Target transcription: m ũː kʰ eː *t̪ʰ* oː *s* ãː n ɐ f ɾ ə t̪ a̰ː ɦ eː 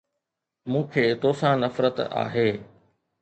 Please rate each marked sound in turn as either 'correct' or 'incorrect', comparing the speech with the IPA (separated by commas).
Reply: incorrect, correct